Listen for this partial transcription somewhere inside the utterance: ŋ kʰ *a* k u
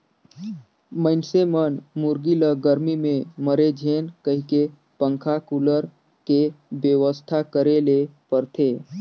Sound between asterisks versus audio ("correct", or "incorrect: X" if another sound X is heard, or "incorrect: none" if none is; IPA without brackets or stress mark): correct